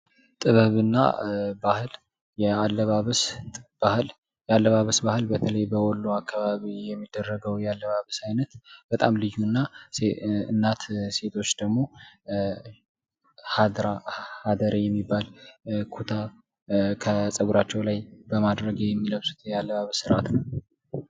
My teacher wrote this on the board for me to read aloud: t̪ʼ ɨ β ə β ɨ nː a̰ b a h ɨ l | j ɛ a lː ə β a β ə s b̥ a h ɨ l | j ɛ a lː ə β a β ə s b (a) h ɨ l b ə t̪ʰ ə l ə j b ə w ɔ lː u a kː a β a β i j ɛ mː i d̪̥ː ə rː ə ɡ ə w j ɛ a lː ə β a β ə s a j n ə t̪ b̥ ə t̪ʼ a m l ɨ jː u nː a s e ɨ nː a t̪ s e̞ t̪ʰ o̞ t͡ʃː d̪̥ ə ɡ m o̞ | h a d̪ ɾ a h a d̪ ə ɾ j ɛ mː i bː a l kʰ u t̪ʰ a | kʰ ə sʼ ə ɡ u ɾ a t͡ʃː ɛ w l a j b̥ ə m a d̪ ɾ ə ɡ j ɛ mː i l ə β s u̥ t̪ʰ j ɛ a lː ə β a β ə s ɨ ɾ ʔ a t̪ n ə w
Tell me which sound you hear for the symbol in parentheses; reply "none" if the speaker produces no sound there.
a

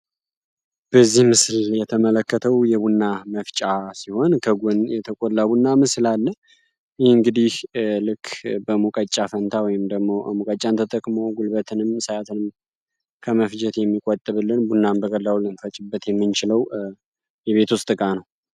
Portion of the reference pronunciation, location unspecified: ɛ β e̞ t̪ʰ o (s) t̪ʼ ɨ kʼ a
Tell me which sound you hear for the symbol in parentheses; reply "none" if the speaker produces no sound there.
s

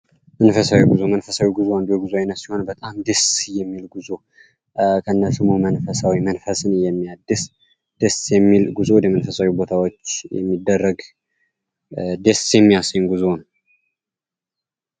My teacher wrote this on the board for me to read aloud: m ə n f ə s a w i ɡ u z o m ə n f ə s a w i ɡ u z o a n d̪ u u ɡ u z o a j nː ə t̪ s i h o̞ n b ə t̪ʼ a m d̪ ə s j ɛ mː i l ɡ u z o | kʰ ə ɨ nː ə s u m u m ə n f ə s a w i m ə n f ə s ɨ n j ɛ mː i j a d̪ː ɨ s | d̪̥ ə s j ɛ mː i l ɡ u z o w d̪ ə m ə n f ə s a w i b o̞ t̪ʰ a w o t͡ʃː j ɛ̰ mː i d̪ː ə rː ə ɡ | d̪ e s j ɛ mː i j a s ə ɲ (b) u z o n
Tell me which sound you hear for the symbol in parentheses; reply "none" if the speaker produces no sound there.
ɡ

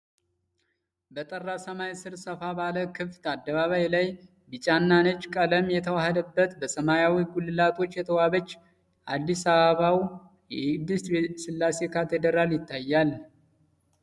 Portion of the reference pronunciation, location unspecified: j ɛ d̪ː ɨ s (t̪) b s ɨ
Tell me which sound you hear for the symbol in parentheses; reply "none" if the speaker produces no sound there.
t̪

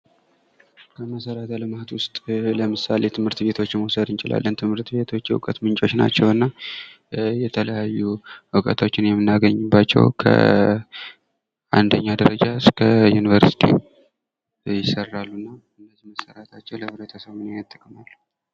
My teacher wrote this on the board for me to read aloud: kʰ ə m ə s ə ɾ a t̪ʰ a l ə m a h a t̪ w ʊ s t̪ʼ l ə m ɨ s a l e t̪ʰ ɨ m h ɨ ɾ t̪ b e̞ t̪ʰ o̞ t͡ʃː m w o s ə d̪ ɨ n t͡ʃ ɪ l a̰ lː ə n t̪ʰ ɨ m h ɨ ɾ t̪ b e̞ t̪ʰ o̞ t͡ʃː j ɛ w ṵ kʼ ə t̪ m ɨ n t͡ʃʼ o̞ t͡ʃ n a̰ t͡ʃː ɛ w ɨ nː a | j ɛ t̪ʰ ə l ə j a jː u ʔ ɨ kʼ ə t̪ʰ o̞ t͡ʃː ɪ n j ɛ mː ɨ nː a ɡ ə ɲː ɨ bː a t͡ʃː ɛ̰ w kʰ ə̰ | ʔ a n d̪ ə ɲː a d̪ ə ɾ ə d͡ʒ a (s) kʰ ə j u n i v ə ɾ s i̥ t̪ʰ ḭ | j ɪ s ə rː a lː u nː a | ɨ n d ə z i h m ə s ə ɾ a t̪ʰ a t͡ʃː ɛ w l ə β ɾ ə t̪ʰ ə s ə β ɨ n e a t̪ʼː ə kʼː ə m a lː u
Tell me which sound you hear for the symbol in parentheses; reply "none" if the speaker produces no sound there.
s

